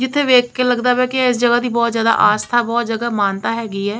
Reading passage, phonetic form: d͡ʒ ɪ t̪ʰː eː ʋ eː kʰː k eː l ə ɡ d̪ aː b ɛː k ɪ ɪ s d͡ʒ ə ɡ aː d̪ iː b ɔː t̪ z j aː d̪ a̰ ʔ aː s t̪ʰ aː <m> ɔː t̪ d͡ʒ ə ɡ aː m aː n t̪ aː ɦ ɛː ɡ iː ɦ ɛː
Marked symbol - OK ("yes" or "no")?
no